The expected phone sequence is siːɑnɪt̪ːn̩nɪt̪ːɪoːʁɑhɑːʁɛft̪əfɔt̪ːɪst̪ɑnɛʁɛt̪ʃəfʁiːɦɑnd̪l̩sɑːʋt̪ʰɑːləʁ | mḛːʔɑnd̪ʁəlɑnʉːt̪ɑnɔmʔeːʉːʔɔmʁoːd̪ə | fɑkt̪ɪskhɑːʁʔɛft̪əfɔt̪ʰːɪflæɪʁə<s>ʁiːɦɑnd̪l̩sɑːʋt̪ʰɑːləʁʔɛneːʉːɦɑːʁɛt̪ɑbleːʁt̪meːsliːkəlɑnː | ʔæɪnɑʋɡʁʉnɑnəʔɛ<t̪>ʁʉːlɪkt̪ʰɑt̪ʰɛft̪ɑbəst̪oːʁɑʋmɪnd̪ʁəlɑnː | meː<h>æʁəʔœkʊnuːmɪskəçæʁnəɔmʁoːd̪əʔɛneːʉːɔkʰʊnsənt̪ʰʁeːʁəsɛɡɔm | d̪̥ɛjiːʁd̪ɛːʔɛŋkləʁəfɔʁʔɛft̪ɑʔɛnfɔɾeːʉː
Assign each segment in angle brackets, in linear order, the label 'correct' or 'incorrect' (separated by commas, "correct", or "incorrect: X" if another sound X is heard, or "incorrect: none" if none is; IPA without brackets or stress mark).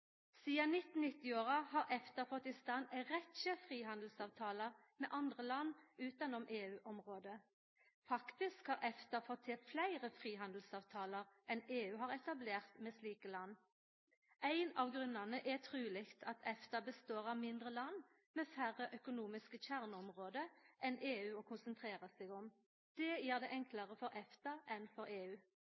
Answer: incorrect: f, incorrect: t̪ʰ, incorrect: f